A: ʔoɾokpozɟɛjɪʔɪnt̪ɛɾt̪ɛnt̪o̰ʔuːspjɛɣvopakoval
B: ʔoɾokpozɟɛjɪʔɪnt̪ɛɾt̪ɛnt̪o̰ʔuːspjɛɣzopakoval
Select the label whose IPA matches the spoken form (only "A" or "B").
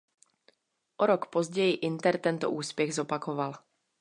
B